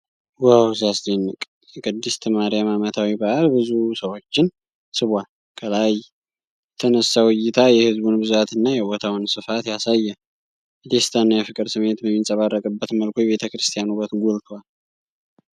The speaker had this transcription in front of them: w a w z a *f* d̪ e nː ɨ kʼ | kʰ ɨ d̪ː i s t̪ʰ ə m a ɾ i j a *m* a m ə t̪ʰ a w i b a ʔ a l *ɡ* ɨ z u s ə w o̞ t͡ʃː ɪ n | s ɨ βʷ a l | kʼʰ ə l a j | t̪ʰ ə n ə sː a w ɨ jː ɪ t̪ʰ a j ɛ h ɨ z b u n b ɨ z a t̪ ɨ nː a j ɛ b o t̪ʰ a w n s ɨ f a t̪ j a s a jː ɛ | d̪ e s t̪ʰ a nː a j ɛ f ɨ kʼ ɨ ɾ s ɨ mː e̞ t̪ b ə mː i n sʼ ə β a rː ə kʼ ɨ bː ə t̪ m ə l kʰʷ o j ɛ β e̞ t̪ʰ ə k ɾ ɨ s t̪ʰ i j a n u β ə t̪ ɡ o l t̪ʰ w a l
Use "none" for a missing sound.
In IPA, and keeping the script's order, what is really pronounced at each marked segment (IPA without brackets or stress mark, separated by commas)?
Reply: s, m, b